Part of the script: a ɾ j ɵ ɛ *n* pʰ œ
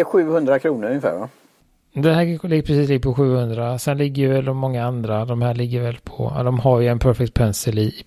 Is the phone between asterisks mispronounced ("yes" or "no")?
no